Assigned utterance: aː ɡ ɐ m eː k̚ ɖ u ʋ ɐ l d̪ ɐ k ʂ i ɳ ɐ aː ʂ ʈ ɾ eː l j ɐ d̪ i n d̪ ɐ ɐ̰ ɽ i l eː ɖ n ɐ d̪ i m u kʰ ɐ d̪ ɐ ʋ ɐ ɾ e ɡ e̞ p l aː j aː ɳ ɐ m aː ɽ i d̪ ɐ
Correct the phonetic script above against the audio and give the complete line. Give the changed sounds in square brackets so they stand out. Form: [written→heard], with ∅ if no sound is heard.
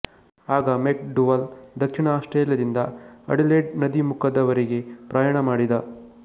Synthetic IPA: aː ɡ ɐ m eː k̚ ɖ u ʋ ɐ l d̪ ɐ k ʂ i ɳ ɐ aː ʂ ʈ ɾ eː l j ɐ d̪ i n d̪ ɐ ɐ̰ ɽ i l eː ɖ n ɐ d̪ i m u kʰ ɐ d̪ ɐ ʋ ɐ ɾ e ɡ e̞ p [l→ɾ] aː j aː ɳ ɐ m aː ɽ i d̪ ɐ